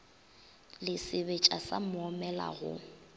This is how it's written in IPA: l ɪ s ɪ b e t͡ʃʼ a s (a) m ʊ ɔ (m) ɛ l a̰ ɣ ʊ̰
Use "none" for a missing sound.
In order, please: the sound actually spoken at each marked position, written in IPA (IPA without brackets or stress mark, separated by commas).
a, m